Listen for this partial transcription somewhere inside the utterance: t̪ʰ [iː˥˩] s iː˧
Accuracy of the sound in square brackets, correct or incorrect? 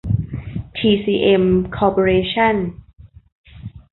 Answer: incorrect